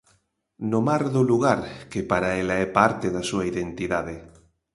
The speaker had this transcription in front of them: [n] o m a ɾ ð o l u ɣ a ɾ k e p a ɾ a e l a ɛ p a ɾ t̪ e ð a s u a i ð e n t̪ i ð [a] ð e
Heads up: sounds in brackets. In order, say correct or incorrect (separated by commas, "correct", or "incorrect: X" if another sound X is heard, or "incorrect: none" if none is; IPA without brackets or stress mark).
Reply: correct, correct